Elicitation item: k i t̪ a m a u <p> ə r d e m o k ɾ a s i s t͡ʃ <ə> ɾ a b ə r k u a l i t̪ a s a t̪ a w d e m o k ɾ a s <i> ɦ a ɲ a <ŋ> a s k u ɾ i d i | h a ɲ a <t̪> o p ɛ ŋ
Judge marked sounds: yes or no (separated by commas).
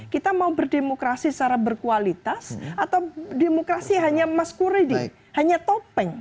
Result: no, no, yes, no, yes